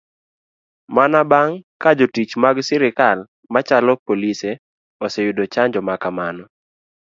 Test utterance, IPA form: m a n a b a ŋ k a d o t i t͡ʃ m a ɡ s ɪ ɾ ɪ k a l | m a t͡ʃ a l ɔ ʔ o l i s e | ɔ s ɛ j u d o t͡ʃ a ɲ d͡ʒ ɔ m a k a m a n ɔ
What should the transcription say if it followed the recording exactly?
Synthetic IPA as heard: m a n a b a ŋ k a d͡ʒ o t i t͡ʃ m a ɡ s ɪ ɾ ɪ k a l | m a t͡ʃ a l ɔ p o l i s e | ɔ s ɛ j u d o t͡ʃ a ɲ d͡ʒ ɔ m a k a m a n ɔ